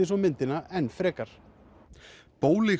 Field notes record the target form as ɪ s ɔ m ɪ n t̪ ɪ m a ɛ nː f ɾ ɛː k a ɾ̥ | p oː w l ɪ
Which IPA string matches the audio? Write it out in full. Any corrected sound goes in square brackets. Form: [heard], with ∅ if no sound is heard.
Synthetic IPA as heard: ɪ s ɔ m ɪ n t̪ ɪ [n] a ɛ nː f ɾ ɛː k a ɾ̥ | p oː w l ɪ